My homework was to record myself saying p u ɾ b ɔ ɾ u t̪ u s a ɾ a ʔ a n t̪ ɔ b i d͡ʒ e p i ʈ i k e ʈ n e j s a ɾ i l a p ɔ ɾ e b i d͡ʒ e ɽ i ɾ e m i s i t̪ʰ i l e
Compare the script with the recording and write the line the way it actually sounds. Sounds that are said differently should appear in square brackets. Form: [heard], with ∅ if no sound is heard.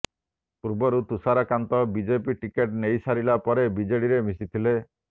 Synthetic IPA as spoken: p u ɾ b ɔ ɾ u t̪ u s a ɾ a [k] a n t̪ ɔ b i d͡ʒ e p i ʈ i k e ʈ n e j s a ɾ i l a p ɔ ɾ e b i d͡ʒ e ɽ i ɾ e m i s i t̪ʰ i l e